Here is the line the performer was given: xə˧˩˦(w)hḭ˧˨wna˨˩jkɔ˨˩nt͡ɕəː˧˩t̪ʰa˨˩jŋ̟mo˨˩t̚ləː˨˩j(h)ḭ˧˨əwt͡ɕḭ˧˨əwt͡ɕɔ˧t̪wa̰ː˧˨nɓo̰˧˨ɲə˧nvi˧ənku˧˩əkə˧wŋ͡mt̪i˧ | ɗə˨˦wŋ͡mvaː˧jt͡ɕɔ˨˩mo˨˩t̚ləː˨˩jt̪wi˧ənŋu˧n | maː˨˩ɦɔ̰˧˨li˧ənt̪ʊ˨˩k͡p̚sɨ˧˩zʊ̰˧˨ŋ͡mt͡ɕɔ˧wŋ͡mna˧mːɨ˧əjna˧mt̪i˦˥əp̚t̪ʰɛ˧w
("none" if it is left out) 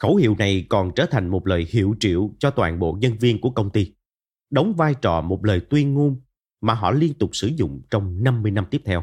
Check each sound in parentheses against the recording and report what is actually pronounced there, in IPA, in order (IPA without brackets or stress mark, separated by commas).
w, h